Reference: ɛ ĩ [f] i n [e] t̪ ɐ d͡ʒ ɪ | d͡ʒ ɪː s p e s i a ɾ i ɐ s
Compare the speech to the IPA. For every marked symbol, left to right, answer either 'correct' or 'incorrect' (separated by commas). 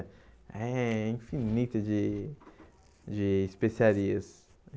correct, incorrect